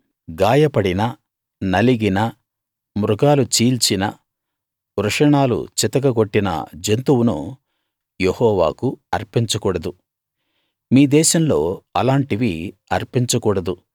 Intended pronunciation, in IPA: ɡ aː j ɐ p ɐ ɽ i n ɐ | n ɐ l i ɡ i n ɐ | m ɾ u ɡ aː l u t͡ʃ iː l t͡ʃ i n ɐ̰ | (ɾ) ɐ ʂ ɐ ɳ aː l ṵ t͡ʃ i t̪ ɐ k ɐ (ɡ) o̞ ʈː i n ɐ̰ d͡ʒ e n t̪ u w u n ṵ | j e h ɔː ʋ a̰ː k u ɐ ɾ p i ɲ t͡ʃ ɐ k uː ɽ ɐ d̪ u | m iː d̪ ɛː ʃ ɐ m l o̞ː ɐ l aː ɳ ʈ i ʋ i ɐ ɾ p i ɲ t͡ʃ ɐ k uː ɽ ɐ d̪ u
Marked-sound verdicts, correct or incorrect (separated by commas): correct, correct